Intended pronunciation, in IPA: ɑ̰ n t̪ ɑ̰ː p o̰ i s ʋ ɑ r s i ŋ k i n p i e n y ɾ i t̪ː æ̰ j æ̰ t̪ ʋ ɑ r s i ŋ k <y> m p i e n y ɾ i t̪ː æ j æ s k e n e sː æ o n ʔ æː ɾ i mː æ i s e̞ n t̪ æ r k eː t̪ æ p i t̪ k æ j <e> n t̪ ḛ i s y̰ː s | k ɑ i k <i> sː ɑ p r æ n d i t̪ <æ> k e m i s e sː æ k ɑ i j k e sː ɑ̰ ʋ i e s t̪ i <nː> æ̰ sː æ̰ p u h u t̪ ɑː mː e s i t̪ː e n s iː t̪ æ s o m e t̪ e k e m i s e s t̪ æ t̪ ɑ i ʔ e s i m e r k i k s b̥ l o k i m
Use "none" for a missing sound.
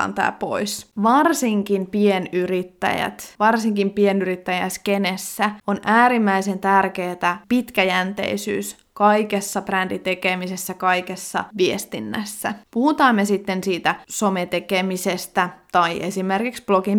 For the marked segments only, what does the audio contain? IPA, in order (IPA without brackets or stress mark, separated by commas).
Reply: i, æ, e, e, nː